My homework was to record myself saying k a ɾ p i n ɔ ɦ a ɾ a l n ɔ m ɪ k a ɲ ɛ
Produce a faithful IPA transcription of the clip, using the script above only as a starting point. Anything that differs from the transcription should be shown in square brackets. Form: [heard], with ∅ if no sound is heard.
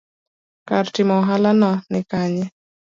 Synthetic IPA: k a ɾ [t] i [m] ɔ ɦ a [l] a [∅] n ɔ [n] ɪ k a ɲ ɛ